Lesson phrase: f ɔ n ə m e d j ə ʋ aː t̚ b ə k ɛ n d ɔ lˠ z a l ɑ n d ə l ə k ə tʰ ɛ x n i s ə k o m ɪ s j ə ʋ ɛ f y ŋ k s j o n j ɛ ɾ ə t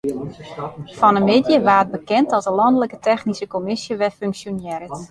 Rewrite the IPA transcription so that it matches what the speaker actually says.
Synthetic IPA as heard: f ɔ n ə m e d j ə ʋ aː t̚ b ə k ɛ n t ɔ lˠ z ə l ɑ n d ə l ə k ə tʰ ɛ x n i s ə k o m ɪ s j ə ʋ ɛ f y ŋ k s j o n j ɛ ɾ ə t